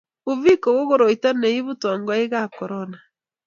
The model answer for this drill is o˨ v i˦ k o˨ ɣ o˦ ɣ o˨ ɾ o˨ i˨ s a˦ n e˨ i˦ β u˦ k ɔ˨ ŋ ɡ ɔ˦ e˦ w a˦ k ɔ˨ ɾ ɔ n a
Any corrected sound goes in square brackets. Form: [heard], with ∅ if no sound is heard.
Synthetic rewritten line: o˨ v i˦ k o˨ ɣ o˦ ɣ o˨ ɾ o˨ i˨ [t] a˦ n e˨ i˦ β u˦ [t] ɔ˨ ŋ ɡ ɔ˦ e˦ [ɣ] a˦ k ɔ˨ ɾ ɔ n a